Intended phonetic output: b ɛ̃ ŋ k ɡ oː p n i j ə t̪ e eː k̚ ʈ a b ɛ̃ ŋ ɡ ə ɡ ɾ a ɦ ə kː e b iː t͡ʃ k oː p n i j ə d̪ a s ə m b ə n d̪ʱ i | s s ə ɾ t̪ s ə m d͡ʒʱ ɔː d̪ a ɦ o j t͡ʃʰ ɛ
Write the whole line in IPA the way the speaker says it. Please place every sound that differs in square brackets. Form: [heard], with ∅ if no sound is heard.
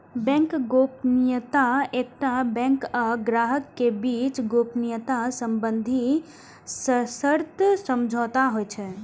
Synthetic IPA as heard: b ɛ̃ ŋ k ɡ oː p n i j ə t̪ [a] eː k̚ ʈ a b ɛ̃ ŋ [k] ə ɡ ɾ a ɦ ə kː e b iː t͡ʃ [ɡ] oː p n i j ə [t̪] a s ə m b ə n d̪ʱ i | s s ə ɾ t̪ s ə m d͡ʒʱ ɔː [t̪] a ɦ o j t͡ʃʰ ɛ

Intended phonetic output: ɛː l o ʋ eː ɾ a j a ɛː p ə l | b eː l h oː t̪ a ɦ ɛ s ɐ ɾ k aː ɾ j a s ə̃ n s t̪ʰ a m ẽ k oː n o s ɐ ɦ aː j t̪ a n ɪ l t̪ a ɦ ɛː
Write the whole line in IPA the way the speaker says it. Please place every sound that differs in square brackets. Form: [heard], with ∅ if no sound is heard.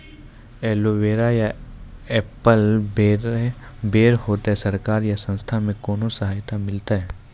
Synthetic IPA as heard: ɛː l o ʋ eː ɾ a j a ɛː p ə l | b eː [ɾ] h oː t̪ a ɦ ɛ s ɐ ɾ k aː ɾ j a s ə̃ n s t̪ʰ a m ẽ k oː n o s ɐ ɦ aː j t̪ a [m] ɪ l t̪ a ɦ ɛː

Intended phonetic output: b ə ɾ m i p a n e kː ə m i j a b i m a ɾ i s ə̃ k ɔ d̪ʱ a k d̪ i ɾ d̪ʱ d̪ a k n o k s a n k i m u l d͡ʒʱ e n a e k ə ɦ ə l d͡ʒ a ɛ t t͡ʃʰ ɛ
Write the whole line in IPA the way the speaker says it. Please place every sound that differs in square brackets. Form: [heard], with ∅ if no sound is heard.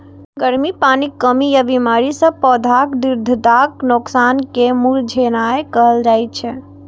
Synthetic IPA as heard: [ɡ] ə ɾ m i p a n [i] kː ə m i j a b i m a ɾ i s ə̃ [p] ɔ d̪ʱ a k d̪ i ɾ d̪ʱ d̪ a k n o k s a n k [e] m u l d͡ʒʱ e n a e k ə ɦ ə l d͡ʒ a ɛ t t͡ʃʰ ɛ

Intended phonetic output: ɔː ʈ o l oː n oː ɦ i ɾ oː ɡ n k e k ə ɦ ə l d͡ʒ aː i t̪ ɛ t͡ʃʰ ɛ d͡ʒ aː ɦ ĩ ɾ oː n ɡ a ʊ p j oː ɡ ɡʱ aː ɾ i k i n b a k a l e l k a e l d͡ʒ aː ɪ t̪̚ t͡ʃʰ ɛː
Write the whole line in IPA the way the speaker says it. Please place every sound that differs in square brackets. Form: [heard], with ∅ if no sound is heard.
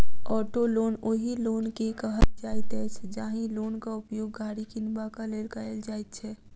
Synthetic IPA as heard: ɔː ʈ o l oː n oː ɦ i [l] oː [∅] n k e k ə ɦ ə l d͡ʒ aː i t̪ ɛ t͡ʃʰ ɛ d͡ʒ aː ɦ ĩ [l] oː n [k] a ʊ p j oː ɡ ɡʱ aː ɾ i k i n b a k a l e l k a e l d͡ʒ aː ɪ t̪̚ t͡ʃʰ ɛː

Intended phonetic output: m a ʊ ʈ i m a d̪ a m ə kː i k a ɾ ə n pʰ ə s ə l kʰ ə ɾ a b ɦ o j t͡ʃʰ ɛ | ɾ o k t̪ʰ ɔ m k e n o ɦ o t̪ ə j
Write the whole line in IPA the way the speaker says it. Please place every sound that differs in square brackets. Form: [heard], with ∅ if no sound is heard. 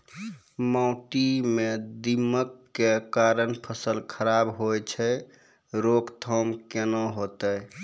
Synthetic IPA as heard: m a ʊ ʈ i m [e] d̪ [i] m ə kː [e] k a ɾ ə n pʰ ə s ə l kʰ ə ɾ a b ɦ o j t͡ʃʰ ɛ | ɾ o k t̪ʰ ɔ m k e n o ɦ o t̪ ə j

